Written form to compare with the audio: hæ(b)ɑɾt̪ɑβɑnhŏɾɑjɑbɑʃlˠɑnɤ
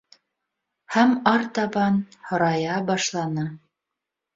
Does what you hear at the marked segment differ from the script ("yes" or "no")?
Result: yes